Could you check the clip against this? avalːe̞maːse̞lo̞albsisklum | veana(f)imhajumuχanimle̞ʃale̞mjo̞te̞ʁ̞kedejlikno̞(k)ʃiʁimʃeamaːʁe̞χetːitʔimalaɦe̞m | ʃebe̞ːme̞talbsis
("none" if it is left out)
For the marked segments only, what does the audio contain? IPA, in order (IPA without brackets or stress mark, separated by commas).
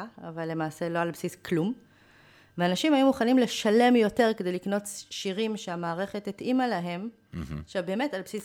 ʃ, t